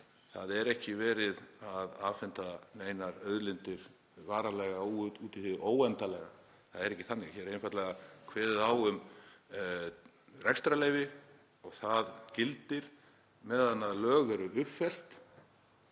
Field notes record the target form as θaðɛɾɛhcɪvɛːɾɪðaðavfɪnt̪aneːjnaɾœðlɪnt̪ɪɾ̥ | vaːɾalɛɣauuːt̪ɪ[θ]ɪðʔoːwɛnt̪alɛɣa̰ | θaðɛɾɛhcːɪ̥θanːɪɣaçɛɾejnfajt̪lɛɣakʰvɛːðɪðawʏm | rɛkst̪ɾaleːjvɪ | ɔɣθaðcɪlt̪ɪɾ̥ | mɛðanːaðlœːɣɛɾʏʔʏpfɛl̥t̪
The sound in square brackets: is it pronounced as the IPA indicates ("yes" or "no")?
yes